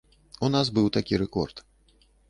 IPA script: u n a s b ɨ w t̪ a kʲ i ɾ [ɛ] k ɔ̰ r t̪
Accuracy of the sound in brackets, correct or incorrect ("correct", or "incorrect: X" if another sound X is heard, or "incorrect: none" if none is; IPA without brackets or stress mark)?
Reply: correct